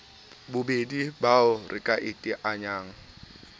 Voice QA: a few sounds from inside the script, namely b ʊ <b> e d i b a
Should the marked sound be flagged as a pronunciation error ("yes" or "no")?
no